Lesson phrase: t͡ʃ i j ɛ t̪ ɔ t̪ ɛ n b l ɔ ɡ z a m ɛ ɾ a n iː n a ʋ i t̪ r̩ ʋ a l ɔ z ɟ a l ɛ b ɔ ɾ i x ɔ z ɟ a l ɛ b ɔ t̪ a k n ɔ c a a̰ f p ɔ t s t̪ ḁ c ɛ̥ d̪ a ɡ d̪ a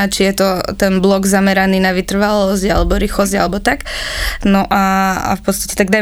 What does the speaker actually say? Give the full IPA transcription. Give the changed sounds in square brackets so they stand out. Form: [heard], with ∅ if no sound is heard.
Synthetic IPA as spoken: t͡ʃ i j ɛ t̪ ɔ t̪ ɛ n b l ɔ ɡ z a m ɛ ɾ a n iː n a ʋ i t̪ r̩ ʋ a l ɔ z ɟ a l ɛ b ɔ ɾ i x ɔ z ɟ a l ɛ b ɔ t̪ a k n ɔ [ʔ] a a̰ f p ɔ t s t̪ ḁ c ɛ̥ [t̪] a ɡ d̪ a